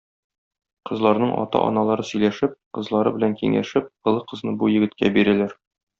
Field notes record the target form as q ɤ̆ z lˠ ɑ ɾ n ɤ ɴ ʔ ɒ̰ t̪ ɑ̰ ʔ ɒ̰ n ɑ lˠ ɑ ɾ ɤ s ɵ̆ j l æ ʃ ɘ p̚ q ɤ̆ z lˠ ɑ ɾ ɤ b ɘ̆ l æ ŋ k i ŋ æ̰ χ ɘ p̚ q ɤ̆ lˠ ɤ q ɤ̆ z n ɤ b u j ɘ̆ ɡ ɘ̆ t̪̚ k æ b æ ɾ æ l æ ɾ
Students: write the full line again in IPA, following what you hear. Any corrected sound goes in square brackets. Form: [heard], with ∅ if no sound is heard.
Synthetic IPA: q ɤ̆ z lˠ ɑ ɾ n ɤ ɴ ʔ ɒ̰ t̪ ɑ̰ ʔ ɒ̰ n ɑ lˠ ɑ ɾ ɤ s ɵ̆ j l æ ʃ ɘ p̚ q ɤ̆ z lˠ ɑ ɾ ɤ b ɘ̆ l æ ŋ k i ŋ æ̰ [ʃ] ɘ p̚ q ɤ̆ lˠ ɤ q ɤ̆ z n ɤ b u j ɘ̆ ɡ ɘ̆ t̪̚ k æ b [i] ɾ æ l æ ɾ